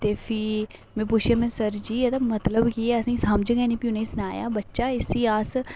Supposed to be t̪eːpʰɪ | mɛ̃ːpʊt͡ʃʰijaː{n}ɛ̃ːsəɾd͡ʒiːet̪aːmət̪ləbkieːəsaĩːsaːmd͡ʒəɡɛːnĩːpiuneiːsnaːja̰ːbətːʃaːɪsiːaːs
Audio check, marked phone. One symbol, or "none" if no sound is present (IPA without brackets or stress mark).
m